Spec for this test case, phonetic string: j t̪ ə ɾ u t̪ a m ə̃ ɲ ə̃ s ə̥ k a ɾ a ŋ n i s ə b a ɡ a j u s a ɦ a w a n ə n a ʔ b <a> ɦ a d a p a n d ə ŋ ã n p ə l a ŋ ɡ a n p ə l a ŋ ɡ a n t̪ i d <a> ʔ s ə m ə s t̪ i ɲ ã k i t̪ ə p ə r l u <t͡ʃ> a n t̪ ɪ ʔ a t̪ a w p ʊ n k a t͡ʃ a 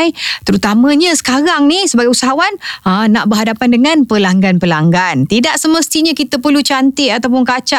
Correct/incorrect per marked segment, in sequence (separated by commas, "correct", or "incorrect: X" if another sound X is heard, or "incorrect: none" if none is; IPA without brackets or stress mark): incorrect: ə, correct, correct